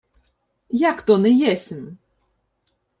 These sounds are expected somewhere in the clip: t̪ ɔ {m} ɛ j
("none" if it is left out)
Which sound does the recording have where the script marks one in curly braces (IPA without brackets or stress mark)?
n